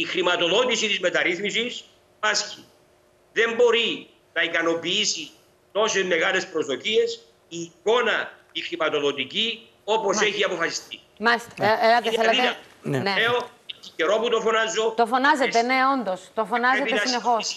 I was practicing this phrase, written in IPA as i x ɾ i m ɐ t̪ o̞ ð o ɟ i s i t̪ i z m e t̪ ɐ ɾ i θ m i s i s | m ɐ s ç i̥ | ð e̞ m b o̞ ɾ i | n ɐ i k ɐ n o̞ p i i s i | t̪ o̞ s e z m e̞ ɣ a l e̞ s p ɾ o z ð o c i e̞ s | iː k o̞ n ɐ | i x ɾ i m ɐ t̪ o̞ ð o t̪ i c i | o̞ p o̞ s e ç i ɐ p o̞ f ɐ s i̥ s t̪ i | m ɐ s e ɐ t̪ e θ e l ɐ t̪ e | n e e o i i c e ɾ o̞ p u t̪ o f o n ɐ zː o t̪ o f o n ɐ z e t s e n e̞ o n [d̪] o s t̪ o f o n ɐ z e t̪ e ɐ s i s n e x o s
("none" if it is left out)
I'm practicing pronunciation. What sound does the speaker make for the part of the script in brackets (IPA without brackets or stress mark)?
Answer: d̪